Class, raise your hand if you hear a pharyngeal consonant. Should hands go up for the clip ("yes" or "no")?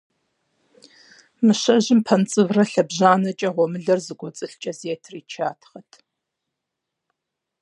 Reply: no